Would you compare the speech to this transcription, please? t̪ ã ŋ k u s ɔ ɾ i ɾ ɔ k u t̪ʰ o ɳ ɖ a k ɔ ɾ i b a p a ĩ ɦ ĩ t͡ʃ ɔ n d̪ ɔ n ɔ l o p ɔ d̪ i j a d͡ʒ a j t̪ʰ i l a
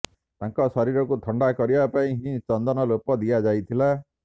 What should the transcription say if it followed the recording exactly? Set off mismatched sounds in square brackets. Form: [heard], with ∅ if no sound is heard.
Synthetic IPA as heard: t̪ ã ŋ k [ɔ] s ɔ ɾ i ɾ ɔ k u t̪ʰ [ɔ] ɳ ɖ a k ɔ ɾ i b a p a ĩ ɦ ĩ t͡ʃ ɔ n d̪ ɔ n ɔ l o p ɔ d̪ i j a d͡ʒ a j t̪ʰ i l a